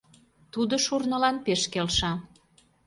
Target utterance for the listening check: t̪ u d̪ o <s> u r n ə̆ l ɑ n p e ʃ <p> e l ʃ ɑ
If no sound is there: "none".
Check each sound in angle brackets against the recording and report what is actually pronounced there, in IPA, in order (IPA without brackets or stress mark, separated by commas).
ʃ, k